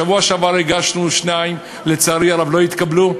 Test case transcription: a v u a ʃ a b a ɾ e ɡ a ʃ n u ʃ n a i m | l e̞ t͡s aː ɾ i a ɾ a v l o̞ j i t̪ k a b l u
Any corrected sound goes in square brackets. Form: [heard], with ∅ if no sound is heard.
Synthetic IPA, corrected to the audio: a v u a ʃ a [v] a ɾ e ɡ a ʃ n u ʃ n a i m | l e̞ t͡s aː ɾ i a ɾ a v l o̞ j i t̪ k a b l u